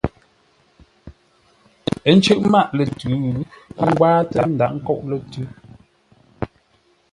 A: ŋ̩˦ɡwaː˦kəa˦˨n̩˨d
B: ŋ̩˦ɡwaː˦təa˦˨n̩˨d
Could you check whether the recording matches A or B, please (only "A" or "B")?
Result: B